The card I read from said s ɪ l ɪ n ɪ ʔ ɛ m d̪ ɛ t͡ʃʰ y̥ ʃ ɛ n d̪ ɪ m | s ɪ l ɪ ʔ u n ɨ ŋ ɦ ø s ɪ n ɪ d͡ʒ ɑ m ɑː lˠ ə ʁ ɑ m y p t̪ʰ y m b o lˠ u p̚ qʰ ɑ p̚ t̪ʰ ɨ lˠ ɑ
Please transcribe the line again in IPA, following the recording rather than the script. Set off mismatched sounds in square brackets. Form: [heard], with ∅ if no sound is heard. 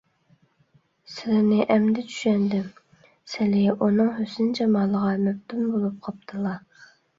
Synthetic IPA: s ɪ l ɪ n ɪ ʔ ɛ m d̪ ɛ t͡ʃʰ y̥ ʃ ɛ n d̪ ɪ m | s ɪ l ɪ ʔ u n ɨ ŋ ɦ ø s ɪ n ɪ d͡ʒ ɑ m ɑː lˠ ə ʁ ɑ m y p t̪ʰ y m b o lˠ u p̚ qʰ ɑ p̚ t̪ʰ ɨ lˠ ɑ

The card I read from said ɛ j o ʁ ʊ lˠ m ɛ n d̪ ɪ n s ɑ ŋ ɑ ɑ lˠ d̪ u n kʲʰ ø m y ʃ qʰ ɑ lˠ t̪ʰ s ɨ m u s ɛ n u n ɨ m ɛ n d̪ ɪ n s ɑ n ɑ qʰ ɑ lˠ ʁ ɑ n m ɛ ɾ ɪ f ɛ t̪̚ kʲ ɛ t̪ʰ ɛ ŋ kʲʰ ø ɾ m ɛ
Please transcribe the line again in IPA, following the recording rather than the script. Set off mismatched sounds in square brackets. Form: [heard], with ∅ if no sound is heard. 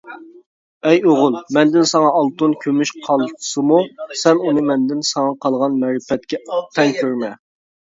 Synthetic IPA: ɛ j o ʁ ʊ lˠ m ɛ n d̪ ɪ n s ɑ ŋ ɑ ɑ lˠ [t̪] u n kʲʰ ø m y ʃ qʰ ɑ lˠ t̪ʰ s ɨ m u s ɛ n u n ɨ m ɛ n d̪ ɪ n s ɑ [ŋ] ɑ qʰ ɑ lˠ ʁ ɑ n m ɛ ɾ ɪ f ɛ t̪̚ kʲ ɛ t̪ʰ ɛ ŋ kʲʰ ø ɾ m ɛ

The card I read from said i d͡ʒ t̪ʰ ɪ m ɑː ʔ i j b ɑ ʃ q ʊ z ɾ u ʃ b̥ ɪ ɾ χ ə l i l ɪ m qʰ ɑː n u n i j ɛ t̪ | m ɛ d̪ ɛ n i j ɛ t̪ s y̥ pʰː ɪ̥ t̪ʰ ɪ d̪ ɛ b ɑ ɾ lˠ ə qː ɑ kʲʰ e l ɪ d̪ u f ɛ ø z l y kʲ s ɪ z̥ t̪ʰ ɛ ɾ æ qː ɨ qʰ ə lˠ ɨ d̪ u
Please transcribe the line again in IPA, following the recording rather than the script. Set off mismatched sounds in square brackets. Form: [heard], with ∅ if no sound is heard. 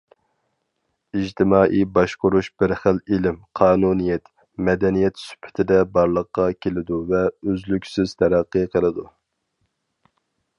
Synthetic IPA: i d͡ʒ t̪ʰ ɪ m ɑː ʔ i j b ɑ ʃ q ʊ [∅] ɾ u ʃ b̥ ɪ ɾ χ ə l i l ɪ m qʰ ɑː n u n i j ɛ t̪ | m ɛ d̪ ɛ n i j ɛ t̪ s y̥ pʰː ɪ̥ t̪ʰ ɪ d̪ ɛ b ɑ ɾ lˠ ə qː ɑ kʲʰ e l ɪ d̪ u [v] ɛ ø z l y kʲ s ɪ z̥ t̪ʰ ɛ ɾ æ qː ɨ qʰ ə lˠ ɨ d̪ u

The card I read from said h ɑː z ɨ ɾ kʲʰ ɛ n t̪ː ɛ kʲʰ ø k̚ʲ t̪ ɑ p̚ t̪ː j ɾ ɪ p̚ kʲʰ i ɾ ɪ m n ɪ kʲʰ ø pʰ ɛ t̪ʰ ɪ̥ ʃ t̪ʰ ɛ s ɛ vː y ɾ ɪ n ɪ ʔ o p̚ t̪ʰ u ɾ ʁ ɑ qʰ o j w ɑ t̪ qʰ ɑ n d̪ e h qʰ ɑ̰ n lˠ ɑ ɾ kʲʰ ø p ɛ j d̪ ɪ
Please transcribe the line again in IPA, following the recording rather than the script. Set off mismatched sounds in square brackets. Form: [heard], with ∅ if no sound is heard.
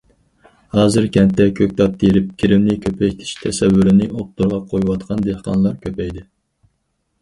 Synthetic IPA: h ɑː z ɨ ɾ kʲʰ ɛ n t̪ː ɛ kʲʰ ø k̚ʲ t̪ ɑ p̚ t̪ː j ɾ ɪ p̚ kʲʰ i ɾ ɪ m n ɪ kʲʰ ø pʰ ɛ t̪ʰ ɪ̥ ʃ t̪ʰ ɛ s ɛ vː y ɾ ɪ n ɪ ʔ o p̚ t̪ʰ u ɾ ʁ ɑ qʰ o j w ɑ t̪ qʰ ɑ n d̪ e h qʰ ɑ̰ n lˠ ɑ ɾ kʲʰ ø p ɛ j d̪ ɪ

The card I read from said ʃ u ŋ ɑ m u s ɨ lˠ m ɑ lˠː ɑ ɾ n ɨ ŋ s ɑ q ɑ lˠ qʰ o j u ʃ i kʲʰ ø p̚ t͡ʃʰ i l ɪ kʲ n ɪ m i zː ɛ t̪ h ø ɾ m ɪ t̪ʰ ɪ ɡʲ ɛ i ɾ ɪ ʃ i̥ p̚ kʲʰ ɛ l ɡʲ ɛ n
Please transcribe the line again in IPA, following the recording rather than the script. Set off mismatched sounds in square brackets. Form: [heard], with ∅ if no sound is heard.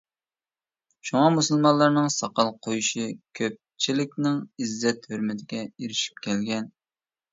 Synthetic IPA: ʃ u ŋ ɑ m u s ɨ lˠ m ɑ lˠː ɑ ɾ n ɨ ŋ s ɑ q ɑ lˠ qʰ o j u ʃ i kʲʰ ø p̚ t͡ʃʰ i l ɪ kʲ n ɪ [ŋ] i zː ɛ t̪ h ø ɾ m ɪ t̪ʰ ɪ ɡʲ ɛ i ɾ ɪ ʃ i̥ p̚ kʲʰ ɛ l ɡʲ ɛ n

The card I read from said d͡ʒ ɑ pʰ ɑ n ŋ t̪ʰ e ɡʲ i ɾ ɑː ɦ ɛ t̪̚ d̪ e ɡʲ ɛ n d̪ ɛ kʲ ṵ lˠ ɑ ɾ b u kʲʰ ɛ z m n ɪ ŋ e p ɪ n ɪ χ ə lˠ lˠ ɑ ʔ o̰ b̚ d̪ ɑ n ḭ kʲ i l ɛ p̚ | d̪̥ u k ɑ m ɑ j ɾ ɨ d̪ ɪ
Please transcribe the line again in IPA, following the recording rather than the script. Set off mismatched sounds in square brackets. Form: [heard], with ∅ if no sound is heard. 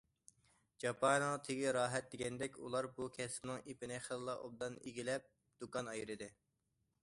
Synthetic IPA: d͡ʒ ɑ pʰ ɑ n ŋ t̪ʰ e ɡʲ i ɾ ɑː ɦ ɛ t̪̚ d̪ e ɡʲ ɛ n d̪ ɛ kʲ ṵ lˠ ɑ ɾ b u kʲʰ ɛ [s] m n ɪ ŋ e p ɪ n ɪ χ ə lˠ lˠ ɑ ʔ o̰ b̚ d̪ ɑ n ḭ [ɡʲ] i l ɛ p̚ | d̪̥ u k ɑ [n] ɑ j ɾ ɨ d̪ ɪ

